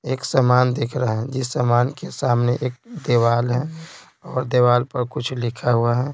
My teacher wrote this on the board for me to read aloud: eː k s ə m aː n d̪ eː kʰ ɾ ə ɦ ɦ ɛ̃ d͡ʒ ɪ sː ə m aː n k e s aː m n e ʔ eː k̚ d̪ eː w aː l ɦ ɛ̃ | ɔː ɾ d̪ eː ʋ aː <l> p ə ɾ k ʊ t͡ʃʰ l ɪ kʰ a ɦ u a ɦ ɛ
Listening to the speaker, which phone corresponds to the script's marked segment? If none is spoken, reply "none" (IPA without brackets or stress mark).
l